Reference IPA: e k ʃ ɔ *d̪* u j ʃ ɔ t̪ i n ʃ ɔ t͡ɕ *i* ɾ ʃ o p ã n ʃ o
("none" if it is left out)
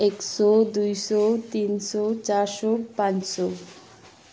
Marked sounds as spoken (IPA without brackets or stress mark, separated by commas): d̪, a